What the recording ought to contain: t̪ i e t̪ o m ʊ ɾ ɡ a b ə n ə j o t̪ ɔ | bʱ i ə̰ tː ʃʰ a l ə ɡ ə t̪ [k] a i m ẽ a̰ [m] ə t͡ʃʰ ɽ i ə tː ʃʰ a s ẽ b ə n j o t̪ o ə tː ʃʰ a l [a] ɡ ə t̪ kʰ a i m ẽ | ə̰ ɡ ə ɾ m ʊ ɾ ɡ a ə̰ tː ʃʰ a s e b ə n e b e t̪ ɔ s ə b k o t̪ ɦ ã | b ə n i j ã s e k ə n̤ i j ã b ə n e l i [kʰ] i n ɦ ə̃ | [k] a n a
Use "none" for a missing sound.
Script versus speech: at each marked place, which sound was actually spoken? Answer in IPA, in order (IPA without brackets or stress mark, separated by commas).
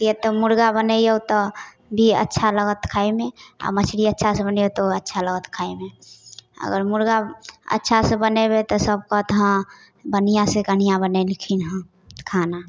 kʰ, m, ə, kʰ, kʰ